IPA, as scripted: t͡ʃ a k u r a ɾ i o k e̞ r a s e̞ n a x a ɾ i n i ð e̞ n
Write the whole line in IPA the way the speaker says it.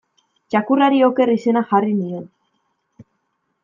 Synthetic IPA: t͡ʃ a k u r a ɾ i o k e̞ r i s e̞ n a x a r i n i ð e̞ n